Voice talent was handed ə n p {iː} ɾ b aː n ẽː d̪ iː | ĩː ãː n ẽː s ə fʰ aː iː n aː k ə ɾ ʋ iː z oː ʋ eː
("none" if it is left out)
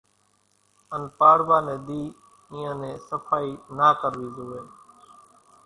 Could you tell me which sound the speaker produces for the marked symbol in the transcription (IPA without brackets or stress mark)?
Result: aː